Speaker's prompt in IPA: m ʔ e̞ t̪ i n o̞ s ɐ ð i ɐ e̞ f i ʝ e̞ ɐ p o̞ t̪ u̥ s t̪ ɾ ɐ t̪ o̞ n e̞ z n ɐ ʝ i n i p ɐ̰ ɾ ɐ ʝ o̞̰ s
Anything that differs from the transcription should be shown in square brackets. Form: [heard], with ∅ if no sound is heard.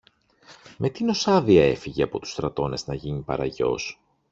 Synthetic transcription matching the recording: m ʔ e̞ t̪ i n o̞ s ɐ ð i ɐ e̞ f i ʝ e̞ ɐ p o̞ t̪ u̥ s t̪ ɾ ɐ t̪ o̞ n e̞ z n ɐ ʝ i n i p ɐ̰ ɾ ɐ ʝ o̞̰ s